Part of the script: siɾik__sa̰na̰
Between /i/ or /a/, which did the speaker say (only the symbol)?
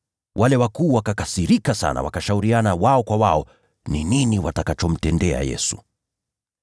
a